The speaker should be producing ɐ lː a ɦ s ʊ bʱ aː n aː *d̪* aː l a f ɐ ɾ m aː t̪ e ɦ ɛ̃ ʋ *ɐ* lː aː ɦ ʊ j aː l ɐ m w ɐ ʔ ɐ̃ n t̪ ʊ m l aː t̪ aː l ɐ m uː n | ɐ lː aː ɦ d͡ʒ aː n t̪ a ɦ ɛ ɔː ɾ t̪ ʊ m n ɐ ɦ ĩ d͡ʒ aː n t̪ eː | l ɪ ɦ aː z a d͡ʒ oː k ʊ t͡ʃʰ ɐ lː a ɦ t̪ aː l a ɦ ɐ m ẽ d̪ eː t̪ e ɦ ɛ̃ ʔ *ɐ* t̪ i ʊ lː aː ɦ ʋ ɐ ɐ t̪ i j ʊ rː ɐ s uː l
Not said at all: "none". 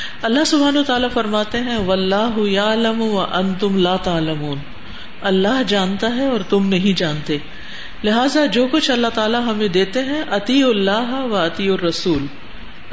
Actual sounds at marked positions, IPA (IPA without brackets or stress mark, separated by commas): t̪, ɐ, ɐ